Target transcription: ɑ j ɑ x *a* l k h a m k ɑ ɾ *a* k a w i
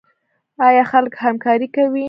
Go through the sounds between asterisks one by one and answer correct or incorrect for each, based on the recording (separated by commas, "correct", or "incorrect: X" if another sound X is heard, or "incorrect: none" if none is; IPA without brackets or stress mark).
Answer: correct, incorrect: i